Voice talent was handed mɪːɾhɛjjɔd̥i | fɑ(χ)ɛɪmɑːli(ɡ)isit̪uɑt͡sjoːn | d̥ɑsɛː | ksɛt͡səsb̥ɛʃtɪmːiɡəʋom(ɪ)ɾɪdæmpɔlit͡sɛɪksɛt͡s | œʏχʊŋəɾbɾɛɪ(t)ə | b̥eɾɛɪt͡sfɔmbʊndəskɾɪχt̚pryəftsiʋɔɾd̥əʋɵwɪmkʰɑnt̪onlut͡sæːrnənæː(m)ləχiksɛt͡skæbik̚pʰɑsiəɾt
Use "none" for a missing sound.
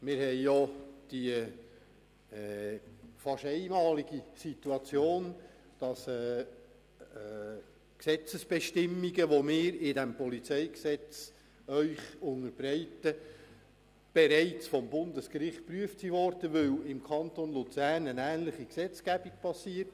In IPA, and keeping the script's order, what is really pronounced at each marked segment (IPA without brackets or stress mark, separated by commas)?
ʃ, ɡ, ɪː, t, n